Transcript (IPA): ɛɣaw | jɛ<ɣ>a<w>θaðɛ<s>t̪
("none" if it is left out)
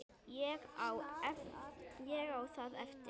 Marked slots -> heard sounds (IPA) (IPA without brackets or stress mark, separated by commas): ɣ, w, f